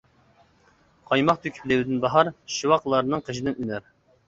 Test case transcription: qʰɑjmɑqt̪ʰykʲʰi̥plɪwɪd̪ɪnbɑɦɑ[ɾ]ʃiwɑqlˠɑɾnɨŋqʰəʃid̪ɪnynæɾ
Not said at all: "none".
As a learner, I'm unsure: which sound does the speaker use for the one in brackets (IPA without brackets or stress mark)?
ɾ